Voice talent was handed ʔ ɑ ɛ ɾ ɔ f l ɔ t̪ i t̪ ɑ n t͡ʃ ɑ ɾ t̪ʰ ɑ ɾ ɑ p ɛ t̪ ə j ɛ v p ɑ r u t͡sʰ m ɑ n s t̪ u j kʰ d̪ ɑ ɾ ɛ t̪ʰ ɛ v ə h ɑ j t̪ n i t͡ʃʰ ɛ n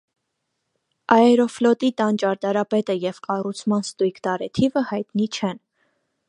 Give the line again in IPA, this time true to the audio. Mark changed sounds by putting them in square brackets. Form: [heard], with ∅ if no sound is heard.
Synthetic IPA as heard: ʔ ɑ ɛ ɾ ɔ f l ɔ t̪ i t̪ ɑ n t͡ʃ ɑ ɾ [t̪] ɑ ɾ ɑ p ɛ t̪ ə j ɛ v [k] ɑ r u t͡sʰ m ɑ n s t̪ u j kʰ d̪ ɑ ɾ ɛ t̪ʰ [i] v ə h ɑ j t̪ n i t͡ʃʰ ɛ n